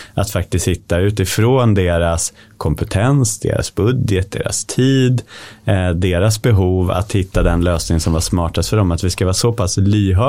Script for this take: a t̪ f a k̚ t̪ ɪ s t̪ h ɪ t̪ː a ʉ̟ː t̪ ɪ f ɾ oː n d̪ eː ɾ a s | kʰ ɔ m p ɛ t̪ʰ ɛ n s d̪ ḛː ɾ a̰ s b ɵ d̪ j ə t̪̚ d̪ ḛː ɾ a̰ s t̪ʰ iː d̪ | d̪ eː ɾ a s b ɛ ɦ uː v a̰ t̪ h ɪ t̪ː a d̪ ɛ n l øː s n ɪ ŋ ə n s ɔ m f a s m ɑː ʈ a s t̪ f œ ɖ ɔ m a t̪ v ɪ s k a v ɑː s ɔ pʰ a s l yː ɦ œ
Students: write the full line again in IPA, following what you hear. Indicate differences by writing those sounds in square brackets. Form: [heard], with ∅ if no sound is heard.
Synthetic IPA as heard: a t̪ f a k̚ t̪ ɪ s t̪ h ɪ t̪ː a ʉ̟ː t̪ ɪ f ɾ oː n d̪ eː ɾ a s | kʰ ɔ m p ɛ t̪ʰ ɛ n s d̪ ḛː ɾ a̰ s b ɵ d̪ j ə t̪̚ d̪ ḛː ɾ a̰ s t̪ʰ iː d̪ | d̪ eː ɾ a s b ɛ ɦ uː v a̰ t̪ h ɪ t̪ː a d̪ ɛ n l øː s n ɪ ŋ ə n s ɔ m [v] a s m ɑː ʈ a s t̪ f œ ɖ ɔ m a t̪ v ɪ s k a v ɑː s ɔ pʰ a s l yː ɦ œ